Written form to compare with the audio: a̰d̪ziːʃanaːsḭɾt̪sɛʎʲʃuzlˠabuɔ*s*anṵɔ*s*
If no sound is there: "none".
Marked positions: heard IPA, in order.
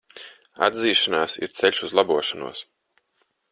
ʃ, s

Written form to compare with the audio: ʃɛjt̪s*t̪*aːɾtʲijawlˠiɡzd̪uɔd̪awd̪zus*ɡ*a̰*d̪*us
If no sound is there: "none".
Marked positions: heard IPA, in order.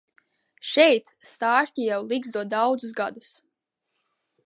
t̪, ɡ, d̪

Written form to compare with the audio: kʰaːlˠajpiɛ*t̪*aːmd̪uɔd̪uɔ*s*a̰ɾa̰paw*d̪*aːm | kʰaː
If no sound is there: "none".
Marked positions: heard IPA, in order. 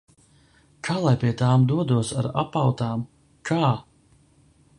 t̪, s, t̪

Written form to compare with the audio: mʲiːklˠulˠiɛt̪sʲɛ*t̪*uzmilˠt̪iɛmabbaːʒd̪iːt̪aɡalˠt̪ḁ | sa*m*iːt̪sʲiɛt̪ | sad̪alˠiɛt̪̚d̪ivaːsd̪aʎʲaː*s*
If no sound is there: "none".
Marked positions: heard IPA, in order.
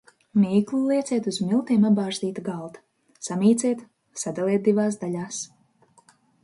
t̪, m, s

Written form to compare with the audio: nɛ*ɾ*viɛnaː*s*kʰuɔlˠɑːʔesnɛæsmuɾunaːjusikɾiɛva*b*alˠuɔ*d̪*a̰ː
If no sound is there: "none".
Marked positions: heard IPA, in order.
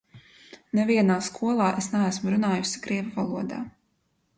none, s, v, d̪

